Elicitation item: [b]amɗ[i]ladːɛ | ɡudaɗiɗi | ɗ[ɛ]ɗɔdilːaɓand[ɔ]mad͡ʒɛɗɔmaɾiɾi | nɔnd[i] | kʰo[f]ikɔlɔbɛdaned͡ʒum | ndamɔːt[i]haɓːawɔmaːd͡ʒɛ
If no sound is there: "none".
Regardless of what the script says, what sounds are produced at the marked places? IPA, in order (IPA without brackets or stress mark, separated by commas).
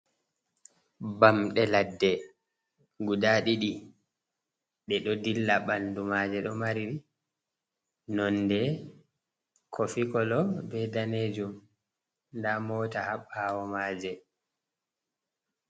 b, ɛ, ɛ, u, ɛ, f, a